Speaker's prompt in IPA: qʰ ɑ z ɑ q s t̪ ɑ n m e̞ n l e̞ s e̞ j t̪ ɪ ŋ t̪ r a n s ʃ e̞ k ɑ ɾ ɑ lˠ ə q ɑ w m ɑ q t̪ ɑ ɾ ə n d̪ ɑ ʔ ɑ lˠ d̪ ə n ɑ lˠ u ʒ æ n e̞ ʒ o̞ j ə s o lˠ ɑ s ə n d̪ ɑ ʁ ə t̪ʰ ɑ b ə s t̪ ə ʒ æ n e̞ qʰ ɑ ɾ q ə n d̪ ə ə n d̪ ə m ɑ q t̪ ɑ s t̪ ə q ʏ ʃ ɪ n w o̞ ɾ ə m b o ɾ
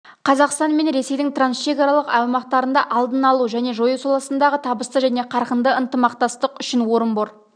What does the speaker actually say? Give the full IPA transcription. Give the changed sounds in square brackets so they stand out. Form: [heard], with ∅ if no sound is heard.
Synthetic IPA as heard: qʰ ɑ z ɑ q s t̪ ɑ n m e̞ n [ɾ] e̞ s e̞ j [d̪] ɪ ŋ t̪ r a n s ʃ e̞ k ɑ ɾ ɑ lˠ ə q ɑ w m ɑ q t̪ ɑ ɾ ə n d̪ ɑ ʔ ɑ lˠ d̪ ə n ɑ lˠ u ʒ æ n e̞ ʒ o̞ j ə s o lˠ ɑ s ə n d̪ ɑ ʁ ə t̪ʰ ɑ b ə s t̪ ə ʒ æ n e̞ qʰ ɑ ɾ q ə n d̪ ə ə n [t̪] ə m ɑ q t̪ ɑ s t̪ ə q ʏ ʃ ɪ n w o̞ ɾ ə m b o ɾ